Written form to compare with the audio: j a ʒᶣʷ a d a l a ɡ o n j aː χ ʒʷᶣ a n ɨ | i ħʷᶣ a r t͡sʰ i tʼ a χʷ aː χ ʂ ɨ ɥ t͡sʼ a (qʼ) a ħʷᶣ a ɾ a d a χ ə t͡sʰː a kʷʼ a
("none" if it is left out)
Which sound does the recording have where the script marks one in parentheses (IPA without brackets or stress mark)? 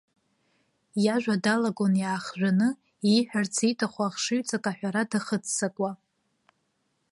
kʼ